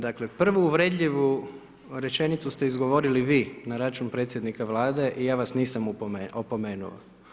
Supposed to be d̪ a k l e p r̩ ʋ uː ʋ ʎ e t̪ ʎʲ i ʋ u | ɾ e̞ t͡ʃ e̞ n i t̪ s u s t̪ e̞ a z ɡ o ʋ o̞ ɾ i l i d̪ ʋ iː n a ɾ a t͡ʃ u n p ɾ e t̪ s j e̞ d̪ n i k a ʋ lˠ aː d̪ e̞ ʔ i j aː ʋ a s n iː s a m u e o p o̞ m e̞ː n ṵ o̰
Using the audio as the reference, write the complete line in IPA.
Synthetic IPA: d̪ a k l e p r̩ ʋ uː ʋ ɾ e d̪ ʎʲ i ʋ u | ɾ e̞ t͡ʃ e̞ n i t̪ s u s t̪ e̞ i z ɡ o ʋ o̞ ɾ i l i ʋ iː n a ɾ a t͡ʃ u n p ɾ e t̪ s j e̞ d̪ n i k a ʋ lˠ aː d̪ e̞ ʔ i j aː ʋ a s n iː s a m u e o p o̞ m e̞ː n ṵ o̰